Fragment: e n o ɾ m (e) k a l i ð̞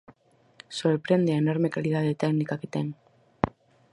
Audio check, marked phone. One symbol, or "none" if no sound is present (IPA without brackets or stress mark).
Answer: e